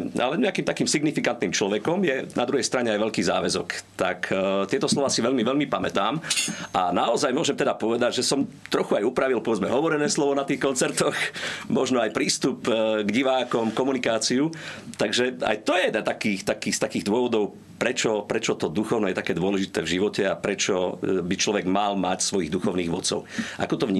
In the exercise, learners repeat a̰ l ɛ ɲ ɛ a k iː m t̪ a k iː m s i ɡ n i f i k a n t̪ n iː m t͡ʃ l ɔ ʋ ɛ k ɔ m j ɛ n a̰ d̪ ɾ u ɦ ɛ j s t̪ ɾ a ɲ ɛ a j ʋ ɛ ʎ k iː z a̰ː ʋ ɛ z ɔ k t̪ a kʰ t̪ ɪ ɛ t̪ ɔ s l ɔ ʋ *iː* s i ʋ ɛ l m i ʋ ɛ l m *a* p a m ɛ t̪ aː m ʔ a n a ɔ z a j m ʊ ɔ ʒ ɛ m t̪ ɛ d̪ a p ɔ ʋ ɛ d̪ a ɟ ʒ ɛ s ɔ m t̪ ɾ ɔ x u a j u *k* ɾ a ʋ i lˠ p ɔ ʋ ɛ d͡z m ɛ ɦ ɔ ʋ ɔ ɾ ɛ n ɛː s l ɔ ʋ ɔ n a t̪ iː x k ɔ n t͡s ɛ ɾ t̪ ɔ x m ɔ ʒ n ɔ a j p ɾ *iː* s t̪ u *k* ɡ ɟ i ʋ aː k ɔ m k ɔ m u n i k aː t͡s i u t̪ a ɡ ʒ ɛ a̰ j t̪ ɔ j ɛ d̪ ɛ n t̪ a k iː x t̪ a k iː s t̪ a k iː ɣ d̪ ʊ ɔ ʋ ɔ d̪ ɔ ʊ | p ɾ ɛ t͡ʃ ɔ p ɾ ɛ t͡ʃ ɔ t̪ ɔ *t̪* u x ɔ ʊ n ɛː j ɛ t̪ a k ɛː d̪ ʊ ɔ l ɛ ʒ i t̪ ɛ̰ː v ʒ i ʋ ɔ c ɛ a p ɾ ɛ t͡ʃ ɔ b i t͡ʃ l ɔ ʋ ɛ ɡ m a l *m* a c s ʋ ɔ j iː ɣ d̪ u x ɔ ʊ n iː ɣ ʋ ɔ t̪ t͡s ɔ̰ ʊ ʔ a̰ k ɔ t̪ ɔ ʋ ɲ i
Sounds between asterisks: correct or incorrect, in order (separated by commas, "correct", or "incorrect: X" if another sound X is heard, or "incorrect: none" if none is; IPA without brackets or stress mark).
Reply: incorrect: aː, incorrect: i, incorrect: p, correct, incorrect: p, incorrect: d̪, correct